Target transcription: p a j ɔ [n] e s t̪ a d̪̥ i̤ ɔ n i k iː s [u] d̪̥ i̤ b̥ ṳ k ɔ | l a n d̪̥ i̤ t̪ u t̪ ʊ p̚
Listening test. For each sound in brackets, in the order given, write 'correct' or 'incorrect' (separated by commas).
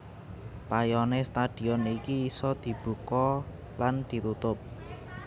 correct, incorrect